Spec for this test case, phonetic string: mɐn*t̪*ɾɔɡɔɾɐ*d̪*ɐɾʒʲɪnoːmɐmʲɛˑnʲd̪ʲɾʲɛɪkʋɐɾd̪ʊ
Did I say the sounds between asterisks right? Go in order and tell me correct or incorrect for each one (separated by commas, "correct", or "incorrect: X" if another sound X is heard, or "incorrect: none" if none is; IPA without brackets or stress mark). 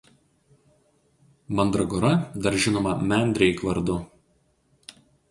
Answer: incorrect: d̪, correct